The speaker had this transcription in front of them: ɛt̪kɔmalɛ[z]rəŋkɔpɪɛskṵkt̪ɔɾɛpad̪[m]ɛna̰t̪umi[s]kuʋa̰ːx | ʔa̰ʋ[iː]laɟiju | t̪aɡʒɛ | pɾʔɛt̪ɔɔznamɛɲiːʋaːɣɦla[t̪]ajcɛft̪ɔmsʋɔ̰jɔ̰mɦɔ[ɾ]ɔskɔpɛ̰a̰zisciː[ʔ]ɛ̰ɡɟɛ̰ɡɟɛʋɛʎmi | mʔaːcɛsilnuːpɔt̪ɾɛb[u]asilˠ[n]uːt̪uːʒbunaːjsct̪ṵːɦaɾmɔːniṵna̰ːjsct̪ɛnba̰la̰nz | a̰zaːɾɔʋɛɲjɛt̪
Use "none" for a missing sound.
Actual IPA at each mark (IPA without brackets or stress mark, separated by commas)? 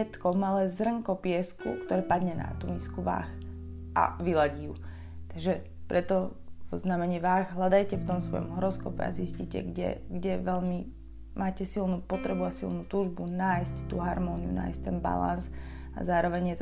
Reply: z, ɲ, s, i, d̪, ɾ, c, u, n